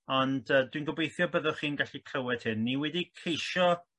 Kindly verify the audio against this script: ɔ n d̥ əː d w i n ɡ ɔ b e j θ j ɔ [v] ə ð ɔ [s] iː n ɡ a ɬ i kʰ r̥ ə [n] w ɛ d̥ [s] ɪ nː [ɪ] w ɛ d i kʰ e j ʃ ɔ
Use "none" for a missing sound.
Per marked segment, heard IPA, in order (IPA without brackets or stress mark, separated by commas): b, χ, none, h, i